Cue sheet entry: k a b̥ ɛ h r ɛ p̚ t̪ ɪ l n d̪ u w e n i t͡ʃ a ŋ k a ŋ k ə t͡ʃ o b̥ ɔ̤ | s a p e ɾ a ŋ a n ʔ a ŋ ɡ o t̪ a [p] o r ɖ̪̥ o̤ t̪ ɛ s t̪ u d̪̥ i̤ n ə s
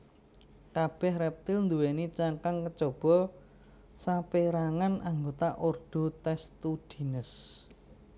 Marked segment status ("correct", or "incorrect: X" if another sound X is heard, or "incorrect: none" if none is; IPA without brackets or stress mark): incorrect: ʔ